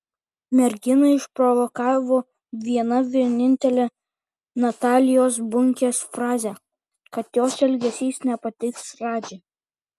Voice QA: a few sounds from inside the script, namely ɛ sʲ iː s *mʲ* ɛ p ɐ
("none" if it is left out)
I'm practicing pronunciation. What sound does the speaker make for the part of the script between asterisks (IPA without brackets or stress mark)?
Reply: nʲ